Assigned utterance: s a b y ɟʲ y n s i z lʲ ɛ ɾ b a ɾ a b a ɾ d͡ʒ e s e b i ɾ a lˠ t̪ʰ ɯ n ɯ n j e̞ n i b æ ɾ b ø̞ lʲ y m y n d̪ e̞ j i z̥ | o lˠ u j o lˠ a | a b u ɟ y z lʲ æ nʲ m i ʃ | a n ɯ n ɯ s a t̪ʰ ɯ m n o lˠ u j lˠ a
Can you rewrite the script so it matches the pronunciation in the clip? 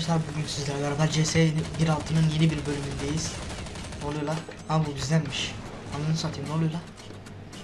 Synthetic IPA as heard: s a b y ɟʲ y n s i z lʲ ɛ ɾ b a ɾ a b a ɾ d͡ʒ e s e b i ɾ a lˠ t̪ʰ ɯ n ɯ n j e̞ n i b i ɾ b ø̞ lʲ y m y n d̪ e̞ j i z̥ | o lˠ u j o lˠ a | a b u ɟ y z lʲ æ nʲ m i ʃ | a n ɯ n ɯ s a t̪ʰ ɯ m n o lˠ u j lˠ a